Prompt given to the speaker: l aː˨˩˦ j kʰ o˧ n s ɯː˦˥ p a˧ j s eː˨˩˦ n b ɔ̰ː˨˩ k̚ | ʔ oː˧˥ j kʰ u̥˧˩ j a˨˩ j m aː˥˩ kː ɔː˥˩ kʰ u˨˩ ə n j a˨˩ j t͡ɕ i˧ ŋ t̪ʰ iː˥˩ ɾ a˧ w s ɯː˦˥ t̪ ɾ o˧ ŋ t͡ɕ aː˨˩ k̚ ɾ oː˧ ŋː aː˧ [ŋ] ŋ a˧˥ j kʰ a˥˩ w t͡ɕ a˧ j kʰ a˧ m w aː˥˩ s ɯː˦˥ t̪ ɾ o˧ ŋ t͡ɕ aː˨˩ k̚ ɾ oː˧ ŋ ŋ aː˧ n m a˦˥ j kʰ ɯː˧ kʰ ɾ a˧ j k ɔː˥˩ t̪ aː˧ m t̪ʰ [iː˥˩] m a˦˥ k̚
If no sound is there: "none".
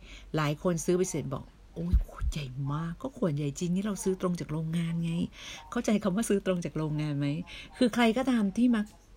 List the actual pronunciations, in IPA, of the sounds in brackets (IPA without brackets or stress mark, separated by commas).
n, iː˥˩